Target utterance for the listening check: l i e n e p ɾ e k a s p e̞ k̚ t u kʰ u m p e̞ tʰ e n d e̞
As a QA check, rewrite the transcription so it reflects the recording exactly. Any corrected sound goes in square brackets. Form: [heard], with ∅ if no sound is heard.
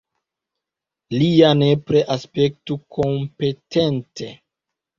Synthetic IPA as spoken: l i [a] n e p ɾ e [ʔ] a s p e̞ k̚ t u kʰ [o] m p e̞ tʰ e n [t] e̞

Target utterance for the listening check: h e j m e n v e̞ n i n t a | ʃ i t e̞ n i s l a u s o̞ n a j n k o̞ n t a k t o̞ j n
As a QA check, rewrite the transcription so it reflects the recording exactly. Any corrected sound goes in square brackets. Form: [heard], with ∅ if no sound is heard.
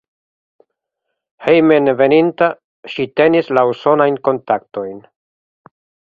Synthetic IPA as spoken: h e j m e n v e̞ n i n t a | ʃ i t e̞ n i s l a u s o̞ n a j n k o̞ n t a k t o̞ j n

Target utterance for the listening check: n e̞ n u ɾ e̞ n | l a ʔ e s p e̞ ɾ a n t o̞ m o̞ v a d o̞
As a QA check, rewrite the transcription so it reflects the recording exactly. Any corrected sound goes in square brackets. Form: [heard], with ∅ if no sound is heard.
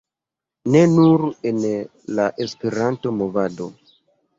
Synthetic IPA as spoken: n e̞ n u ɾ e̞ n | l a ʔ e s p e̞ ɾ a n t o̞ m o̞ v a d o̞

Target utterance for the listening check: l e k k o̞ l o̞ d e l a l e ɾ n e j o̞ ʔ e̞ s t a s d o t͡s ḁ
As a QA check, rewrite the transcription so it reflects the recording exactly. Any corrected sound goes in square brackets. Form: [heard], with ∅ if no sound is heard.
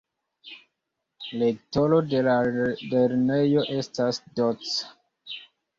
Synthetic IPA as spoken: l e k [t] o̞ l o̞ d e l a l e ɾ n e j o̞ ʔ e̞ s t a s d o t͡s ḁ

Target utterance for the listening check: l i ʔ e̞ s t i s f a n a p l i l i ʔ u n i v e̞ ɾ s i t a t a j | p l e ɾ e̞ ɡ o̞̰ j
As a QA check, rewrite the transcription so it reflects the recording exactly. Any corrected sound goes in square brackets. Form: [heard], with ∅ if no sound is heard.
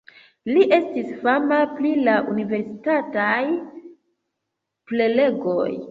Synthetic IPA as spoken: l i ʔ e̞ s t i s f a [m] a p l i l [a] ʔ u n i v e̞ ɾ s i t a t a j | p l e [l] e̞ ɡ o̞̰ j

